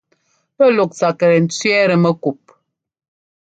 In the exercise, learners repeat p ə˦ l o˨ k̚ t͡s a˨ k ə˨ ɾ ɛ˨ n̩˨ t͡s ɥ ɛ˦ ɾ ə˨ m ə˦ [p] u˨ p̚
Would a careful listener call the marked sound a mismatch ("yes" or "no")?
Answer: yes